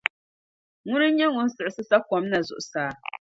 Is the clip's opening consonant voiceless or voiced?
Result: voiced